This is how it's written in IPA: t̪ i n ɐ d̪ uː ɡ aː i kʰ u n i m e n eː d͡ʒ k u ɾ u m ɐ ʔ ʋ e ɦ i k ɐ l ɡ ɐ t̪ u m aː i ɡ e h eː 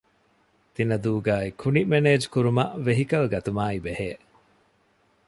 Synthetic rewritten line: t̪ i n ɐ d̪ uː ɡ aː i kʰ u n i m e n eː d͡ʒ k u ɾ u m ɐ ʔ ʋ e ɦ i k ɐ l ɡ ɐ t̪ u m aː i b e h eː